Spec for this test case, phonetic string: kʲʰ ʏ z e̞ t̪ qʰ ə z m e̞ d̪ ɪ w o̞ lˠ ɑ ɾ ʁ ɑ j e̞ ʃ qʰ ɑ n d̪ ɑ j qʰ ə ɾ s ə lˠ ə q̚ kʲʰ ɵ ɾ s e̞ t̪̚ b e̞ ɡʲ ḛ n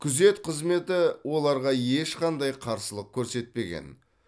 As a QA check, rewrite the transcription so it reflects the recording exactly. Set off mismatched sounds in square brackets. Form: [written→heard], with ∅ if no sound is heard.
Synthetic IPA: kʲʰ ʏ z e̞ t̪ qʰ ə z m e̞ [d̪→t̪] ɪ w o̞ lˠ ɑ ɾ ʁ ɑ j e̞ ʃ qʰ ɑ n d̪ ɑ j qʰ [ə→ɑ] ɾ s ə lˠ ə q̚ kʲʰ ɵ ɾ s e̞ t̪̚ [b→p] e̞ ɡʲ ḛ n